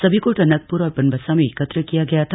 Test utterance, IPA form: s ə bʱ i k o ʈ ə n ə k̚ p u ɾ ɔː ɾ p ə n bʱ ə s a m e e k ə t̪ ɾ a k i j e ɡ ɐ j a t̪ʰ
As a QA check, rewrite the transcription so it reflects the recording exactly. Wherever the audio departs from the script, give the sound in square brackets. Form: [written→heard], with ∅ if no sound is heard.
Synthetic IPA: s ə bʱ i k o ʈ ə n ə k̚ p u ɾ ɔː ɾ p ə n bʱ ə s a m e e k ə t̪ ɾ [a→ə] k i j [e→a] ɡ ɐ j a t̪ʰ